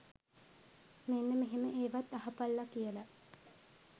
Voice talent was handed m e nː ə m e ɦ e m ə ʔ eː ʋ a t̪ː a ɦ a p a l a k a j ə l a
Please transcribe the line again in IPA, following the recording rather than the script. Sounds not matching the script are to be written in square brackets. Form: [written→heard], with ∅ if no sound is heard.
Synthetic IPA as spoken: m e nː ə m e ɦ e m ə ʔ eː ʋ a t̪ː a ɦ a p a [l→lː] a k [a→i] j ə l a

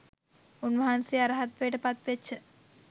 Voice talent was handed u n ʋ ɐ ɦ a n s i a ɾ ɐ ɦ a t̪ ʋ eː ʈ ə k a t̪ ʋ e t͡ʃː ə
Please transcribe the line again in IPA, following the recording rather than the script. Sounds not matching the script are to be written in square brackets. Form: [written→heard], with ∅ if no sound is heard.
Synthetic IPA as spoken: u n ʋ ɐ ɦ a n s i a ɾ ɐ ɦ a t̪ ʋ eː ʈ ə [k→p] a t̪ ʋ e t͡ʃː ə

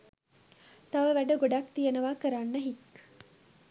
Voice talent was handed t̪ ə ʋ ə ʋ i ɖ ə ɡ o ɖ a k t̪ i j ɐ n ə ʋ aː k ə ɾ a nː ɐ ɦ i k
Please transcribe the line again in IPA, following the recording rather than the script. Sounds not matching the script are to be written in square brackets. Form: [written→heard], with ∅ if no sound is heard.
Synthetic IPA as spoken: t̪ [ə→ɐ] ʋ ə ʋ [i→æ] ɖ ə ɡ o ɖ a k t̪ i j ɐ n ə ʋ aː k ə ɾ a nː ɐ ɦ i k

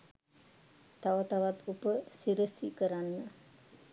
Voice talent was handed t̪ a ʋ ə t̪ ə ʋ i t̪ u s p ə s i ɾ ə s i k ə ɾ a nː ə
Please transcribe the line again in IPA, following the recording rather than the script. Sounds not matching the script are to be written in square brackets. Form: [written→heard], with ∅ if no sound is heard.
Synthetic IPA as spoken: t̪ a ʋ ə t̪ [ə→a] ʋ [i→a] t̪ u [s→∅] p ə s i ɾ ə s i k ə ɾ a nː ə

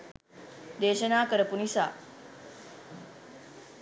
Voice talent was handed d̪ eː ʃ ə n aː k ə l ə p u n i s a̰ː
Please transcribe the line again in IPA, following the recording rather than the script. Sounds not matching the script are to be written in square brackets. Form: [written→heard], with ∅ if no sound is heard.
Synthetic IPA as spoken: d̪ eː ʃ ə n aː k ə [l→ɾ] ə p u n i s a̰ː

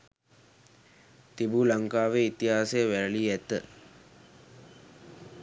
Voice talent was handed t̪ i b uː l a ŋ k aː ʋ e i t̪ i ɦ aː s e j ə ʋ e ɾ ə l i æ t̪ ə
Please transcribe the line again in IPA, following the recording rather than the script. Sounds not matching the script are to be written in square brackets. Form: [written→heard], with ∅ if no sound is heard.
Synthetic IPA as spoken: t̪ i b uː l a ŋ k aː ʋ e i t̪ i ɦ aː s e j ə ʋ [e→æ] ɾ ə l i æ t̪ ə

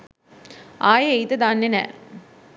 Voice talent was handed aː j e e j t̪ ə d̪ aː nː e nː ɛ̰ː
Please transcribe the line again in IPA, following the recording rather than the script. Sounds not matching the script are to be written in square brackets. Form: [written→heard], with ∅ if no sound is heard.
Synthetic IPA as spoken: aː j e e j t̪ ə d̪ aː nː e [nː→n] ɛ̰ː

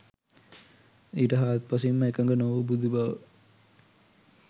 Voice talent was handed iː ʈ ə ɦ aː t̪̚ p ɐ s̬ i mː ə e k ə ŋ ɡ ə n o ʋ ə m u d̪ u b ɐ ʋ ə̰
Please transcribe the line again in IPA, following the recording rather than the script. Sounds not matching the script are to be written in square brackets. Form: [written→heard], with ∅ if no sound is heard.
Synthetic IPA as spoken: iː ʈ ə ɦ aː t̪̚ p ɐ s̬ i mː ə e k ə ŋ ɡ ə n o ʋ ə [m→b] u d̪ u b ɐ ʋ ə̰

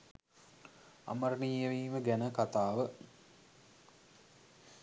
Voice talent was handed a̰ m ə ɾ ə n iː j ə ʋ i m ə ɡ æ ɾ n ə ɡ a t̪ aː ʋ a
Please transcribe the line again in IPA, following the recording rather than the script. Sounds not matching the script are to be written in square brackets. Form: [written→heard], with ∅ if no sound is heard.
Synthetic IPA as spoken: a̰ m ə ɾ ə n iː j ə ʋ [i→iː] m ə ɡ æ [ɾ→∅] n ə [ɡ→k] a t̪ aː ʋ [a→ə]

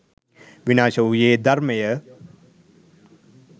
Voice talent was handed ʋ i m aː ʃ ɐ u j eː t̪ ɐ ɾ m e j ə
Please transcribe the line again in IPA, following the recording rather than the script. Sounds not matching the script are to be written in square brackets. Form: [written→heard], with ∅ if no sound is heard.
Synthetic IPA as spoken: ʋ i [m→n] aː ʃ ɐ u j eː [t̪→d̪] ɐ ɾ m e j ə

